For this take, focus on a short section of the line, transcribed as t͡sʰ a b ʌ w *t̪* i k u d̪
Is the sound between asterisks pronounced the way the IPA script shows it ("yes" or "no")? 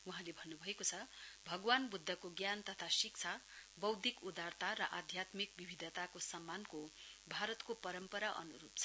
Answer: no